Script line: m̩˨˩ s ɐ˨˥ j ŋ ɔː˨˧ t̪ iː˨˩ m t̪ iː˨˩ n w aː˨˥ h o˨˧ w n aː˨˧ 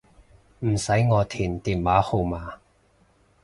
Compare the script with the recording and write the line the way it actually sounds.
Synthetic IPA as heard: m̩˨˩ s ɐ˨˥ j ŋ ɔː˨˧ t̪ʰ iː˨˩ n t̪ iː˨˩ n w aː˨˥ h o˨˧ w m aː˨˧